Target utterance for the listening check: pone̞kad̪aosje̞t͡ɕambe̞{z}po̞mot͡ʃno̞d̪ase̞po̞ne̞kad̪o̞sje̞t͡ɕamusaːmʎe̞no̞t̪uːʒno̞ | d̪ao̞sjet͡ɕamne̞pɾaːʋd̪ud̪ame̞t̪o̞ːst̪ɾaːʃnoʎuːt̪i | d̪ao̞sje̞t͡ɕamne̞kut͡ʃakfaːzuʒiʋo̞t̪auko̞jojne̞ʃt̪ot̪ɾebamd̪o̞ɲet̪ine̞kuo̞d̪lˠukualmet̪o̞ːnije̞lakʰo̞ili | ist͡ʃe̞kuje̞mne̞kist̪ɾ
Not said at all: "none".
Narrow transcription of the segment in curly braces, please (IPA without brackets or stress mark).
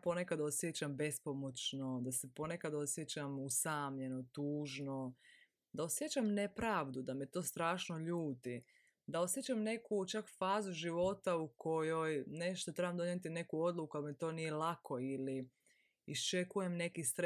s